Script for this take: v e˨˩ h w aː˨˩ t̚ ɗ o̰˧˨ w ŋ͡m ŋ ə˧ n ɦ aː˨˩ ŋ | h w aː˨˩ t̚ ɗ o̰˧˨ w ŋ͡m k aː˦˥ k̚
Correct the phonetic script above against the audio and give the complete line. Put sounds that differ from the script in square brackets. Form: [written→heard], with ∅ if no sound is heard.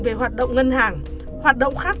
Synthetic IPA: v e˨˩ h w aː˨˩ t̚ ɗ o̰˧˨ w ŋ͡m ŋ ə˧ n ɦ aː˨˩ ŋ | h w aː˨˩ t̚ ɗ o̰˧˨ w ŋ͡m [k→x] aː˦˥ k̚